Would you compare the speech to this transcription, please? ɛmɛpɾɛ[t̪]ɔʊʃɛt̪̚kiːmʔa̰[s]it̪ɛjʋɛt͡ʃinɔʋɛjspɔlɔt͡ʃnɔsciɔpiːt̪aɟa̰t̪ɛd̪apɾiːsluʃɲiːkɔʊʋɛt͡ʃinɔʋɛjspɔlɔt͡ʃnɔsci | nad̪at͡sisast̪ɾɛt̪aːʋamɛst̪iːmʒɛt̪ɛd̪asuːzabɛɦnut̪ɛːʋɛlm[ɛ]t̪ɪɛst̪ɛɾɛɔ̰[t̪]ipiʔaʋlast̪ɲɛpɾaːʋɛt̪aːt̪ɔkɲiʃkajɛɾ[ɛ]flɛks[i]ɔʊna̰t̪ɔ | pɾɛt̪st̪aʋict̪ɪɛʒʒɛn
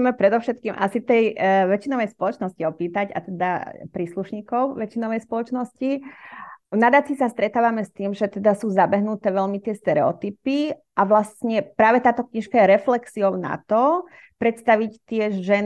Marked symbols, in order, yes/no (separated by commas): no, yes, no, yes, yes, yes